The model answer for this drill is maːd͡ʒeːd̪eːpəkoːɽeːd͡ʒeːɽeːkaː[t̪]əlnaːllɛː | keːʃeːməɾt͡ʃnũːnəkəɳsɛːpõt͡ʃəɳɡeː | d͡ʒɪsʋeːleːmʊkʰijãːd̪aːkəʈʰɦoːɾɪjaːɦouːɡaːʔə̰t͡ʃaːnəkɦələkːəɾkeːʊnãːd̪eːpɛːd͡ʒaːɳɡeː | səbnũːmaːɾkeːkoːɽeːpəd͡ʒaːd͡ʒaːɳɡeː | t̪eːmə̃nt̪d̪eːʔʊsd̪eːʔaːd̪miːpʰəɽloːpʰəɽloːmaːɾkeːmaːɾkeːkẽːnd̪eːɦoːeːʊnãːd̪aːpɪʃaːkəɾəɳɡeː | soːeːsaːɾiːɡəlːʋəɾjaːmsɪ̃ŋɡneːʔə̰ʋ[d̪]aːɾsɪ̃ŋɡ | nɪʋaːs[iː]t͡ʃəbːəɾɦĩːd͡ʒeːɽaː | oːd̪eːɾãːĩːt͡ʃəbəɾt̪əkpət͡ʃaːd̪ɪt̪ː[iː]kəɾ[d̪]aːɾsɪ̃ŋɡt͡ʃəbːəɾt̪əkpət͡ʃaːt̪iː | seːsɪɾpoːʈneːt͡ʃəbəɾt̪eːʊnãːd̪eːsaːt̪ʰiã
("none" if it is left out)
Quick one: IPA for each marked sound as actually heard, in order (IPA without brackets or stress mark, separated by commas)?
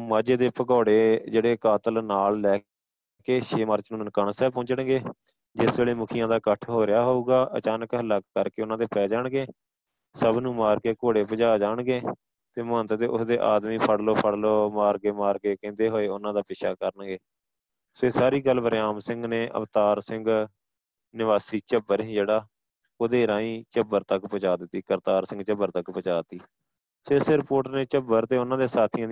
t̪, t̪, iː, iː, t̪